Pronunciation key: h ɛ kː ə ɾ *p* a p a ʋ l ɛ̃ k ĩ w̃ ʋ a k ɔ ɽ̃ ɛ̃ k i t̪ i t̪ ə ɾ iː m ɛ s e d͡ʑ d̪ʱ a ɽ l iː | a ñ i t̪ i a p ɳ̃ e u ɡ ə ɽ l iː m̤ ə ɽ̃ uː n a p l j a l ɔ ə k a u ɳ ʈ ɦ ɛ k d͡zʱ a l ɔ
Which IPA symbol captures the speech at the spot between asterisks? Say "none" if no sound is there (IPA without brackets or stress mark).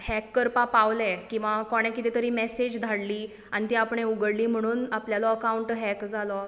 p